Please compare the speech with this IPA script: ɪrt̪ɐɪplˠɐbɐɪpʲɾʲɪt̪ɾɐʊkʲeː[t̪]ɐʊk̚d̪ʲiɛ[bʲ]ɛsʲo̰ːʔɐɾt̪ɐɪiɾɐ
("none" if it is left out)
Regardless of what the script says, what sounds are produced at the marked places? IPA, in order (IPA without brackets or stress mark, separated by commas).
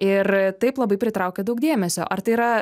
d̪, mʲ